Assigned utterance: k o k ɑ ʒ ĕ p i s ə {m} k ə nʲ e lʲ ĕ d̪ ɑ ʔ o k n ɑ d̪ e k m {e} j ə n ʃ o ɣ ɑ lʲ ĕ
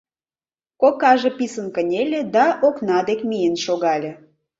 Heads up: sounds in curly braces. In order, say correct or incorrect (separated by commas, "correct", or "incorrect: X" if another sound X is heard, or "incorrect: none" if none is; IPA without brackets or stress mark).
incorrect: n, incorrect: i